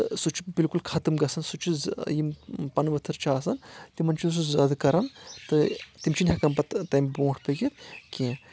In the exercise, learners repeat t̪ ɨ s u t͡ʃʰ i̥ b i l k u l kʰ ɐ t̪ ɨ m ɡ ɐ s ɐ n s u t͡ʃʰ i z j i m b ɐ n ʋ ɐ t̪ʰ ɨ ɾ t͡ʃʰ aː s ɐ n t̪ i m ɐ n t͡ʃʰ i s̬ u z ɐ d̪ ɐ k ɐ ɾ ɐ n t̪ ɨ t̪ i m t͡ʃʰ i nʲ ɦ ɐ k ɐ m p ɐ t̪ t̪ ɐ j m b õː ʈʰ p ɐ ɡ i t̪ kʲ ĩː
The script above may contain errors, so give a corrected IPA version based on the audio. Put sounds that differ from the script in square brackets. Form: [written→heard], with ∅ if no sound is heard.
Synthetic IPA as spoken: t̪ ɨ s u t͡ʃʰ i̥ b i l k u l kʰ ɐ t̪ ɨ m ɡ ɐ s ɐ n s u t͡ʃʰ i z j i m [b→p] ɐ n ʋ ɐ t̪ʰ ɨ ɾ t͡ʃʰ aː s ɐ n t̪ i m ɐ n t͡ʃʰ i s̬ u z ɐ d̪ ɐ k ɐ ɾ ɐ n t̪ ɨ t̪ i m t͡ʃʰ i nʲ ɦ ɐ k ɐ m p ɐ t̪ t̪ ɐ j m b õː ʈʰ p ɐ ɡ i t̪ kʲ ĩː